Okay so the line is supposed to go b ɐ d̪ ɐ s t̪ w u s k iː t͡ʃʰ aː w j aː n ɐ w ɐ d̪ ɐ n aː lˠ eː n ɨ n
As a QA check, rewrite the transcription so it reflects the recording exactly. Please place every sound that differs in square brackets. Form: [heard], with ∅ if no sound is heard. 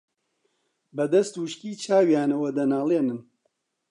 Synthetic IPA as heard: b ɐ d̪ ɐ s t̪ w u [ʃ] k iː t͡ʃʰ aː w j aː n ɐ w ɐ d̪ ɐ n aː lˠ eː n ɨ n